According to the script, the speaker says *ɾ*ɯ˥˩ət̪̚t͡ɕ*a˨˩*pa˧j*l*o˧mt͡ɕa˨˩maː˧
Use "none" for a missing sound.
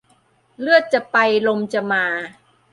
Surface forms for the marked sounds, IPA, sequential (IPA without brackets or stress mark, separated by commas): l, a˨˩, l